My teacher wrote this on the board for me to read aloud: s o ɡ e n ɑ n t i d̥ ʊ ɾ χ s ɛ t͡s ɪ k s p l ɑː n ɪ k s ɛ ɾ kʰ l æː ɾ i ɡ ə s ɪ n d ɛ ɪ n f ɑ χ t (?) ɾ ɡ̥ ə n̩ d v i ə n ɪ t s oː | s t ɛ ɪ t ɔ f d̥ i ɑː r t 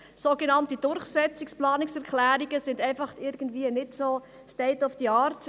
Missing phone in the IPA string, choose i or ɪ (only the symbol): ɪ